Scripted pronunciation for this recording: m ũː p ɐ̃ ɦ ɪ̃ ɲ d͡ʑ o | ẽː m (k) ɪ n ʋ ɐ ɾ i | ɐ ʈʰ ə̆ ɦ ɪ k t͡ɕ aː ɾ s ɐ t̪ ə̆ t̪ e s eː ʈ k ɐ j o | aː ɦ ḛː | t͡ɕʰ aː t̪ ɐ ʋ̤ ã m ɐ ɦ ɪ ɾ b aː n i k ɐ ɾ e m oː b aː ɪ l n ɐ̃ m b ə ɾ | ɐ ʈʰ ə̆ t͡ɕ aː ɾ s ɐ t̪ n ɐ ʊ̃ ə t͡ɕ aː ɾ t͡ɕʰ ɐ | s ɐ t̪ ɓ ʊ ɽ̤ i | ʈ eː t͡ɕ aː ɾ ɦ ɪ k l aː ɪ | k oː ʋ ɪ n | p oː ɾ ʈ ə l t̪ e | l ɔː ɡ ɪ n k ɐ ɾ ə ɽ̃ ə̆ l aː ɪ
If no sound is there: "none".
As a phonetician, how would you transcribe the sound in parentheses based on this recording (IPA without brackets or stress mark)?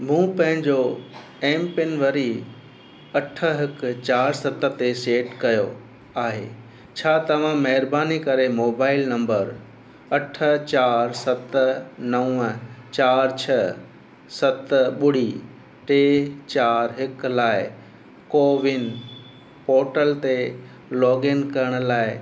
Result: p